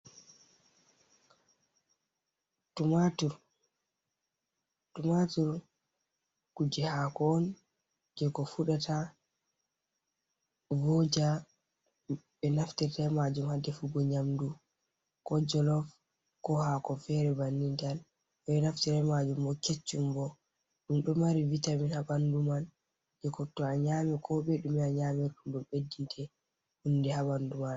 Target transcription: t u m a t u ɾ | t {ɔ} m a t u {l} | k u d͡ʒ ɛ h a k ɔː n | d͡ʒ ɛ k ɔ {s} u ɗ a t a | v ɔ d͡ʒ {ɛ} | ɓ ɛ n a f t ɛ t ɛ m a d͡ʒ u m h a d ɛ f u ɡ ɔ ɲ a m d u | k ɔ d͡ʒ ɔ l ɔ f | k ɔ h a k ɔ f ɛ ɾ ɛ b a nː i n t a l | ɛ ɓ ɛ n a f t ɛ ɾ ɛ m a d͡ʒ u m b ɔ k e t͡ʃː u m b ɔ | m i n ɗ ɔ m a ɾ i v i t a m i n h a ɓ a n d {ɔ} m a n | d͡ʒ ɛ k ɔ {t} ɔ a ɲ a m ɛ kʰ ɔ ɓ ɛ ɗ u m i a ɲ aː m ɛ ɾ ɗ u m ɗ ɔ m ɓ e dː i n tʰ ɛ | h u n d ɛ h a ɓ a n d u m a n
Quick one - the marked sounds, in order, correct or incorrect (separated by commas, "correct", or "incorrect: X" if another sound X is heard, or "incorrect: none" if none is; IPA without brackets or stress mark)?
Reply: incorrect: u, incorrect: ɾ, incorrect: f, incorrect: a, incorrect: u, correct